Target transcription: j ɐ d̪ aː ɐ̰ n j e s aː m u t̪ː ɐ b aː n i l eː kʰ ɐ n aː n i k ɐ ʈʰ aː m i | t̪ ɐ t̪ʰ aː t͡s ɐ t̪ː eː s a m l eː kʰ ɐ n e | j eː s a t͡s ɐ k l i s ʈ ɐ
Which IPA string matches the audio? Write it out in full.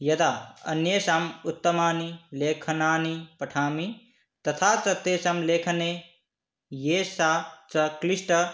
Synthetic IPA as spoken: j ɐ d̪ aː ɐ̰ n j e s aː m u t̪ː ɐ m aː n i l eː kʰ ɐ n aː n i p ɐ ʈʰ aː m i | t̪ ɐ t̪ʰ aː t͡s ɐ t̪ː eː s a m l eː kʰ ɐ n e | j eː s a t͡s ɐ k l i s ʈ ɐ